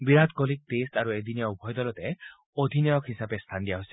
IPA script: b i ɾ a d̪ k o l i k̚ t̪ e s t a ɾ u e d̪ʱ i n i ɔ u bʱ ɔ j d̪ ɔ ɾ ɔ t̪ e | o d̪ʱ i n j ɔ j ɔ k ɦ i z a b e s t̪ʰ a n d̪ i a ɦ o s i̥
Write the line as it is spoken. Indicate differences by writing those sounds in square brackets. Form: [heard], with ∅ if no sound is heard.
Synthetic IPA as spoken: b i ɾ a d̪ k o l i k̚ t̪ e s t a ɾ u e d̪ʱ i n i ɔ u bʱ ɔ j d̪ ɔ [l] ɔ t̪ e | o d̪ʱ i n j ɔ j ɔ k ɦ i [s] a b e s t̪ʰ a n d̪ i a ɦ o s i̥

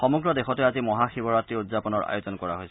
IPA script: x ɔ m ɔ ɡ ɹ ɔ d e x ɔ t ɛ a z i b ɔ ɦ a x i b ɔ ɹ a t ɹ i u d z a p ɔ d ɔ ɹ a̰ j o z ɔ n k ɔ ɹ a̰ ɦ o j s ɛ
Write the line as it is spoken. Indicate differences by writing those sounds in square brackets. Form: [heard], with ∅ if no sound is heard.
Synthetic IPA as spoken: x ɔ m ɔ ɡ ɹ ɔ d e x ɔ t ɛ a z i [m] ɔ ɦ a x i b ɔ ɹ a t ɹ i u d z a p ɔ [n] ɔ ɹ a̰ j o z ɔ n k ɔ ɹ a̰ ɦ o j s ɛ

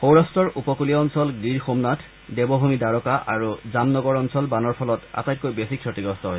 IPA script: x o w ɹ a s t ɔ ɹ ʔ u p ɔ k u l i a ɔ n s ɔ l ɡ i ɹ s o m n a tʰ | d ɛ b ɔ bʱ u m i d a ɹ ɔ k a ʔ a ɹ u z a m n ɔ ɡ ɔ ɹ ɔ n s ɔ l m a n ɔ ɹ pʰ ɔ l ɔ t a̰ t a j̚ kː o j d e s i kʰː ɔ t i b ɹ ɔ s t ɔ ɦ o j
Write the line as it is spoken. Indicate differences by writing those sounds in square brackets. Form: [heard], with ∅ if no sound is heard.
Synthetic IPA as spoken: x o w ɹ a s t ɔ ɹ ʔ u p ɔ k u l i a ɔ n s ɔ l ɡ i ɹ [x] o m n a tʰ | d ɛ b ɔ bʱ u m i d a ɹ ɔ k a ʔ a ɹ u z a m n ɔ ɡ ɔ ɹ ɔ n s ɔ l [b] a n ɔ ɹ pʰ ɔ l ɔ t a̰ t a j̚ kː o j [b] e s i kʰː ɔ t i [ɡ] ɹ ɔ s t ɔ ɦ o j

